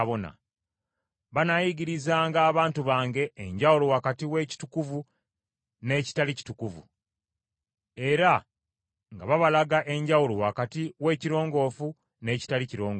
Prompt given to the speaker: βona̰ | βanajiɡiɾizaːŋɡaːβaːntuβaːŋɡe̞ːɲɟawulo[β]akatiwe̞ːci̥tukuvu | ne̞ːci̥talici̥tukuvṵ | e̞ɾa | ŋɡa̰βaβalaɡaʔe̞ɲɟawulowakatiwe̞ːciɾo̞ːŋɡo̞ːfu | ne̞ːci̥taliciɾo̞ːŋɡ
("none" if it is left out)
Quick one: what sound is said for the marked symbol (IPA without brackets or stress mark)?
w